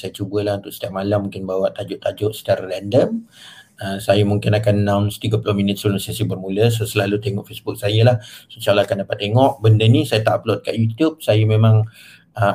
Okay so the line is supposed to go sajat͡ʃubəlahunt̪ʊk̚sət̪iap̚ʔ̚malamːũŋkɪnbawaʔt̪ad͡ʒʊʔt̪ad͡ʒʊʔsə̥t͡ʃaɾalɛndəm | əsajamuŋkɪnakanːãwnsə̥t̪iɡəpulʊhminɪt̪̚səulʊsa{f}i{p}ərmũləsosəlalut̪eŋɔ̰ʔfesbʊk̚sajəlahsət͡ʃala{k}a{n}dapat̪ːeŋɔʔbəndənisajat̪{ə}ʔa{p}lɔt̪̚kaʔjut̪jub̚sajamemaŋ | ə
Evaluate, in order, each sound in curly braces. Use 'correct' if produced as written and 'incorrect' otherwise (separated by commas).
incorrect, incorrect, correct, correct, incorrect, correct